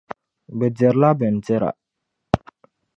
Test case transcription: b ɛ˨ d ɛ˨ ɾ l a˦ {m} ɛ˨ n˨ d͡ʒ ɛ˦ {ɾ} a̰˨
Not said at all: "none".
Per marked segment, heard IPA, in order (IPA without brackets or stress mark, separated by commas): b, ɾ